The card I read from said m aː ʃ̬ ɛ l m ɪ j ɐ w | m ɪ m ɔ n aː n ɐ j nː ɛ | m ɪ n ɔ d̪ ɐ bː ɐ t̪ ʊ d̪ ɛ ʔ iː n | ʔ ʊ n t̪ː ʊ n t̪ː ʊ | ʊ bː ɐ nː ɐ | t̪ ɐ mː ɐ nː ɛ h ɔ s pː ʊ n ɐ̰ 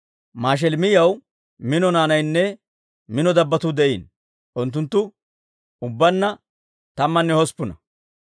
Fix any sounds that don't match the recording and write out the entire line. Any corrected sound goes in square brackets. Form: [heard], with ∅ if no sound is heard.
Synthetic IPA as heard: m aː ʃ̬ ɛ l m ɪ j ɐ w | m ɪ [n] ɔ n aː n ɐ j nː ɛ | m ɪ n ɔ d̪ ɐ bː ɐ t̪ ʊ d̪ ɛ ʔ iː n | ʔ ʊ n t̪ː ʊ n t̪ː ʊ | ʊ bː ɐ nː ɐ | t̪ ɐ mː ɐ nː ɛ h ɔ s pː ʊ n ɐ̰